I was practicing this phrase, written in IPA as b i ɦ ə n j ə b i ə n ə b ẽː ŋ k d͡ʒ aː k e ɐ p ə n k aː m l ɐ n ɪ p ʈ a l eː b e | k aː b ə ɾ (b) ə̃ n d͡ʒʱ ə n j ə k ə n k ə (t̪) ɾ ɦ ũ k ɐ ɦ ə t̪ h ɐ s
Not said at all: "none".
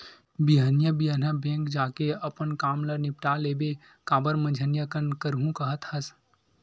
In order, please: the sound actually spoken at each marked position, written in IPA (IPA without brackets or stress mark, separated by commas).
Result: m, none